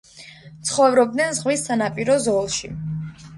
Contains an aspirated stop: no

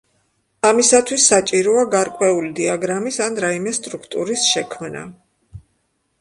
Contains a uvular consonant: no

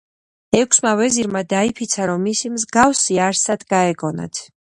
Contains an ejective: no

